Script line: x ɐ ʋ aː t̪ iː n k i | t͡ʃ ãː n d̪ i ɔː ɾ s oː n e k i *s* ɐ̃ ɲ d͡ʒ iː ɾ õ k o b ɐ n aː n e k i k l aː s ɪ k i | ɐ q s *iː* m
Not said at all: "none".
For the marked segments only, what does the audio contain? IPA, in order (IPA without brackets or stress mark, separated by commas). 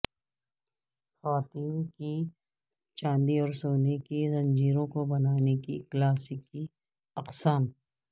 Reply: z, aː